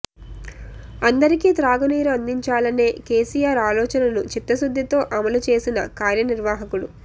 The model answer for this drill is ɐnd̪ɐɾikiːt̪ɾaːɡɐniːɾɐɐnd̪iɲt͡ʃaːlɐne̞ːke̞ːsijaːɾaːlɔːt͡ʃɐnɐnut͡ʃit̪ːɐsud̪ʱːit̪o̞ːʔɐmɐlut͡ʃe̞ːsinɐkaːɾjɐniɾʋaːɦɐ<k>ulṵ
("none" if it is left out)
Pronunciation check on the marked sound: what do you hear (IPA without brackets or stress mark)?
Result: k